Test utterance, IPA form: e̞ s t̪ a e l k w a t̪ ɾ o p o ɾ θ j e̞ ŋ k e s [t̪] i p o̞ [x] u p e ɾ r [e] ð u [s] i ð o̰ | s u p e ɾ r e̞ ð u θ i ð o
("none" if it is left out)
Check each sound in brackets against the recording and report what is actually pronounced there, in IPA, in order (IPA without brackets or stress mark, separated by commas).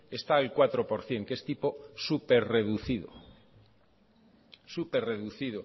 t̪, s, e, θ